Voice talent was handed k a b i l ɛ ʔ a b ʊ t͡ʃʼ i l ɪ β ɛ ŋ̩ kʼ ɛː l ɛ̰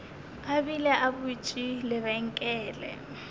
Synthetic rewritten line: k a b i l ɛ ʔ a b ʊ t͡ʃʼ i l ɪ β ɛ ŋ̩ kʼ ɛː l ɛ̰